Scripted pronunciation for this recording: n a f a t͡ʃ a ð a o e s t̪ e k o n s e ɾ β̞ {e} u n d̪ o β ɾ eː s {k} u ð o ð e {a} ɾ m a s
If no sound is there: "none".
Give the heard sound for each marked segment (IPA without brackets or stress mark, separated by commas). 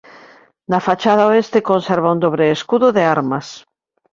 a, k, a